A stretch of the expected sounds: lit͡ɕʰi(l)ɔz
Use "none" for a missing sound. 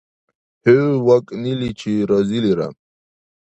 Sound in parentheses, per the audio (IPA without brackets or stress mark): ɾ